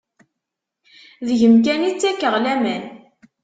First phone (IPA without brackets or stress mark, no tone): ð